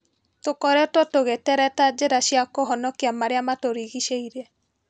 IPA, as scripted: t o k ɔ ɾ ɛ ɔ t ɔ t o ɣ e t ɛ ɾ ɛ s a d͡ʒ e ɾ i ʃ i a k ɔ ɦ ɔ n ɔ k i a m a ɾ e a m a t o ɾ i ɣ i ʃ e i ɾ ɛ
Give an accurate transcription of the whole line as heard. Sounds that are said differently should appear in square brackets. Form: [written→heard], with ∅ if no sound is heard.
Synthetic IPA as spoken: t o k ɔ ɾ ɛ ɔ t ɔ t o ɣ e t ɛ ɾ ɛ [s→t] a d͡ʒ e ɾ [i→a] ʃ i a k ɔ ɦ ɔ n ɔ k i a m a ɾ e a m a t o ɾ i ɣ i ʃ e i ɾ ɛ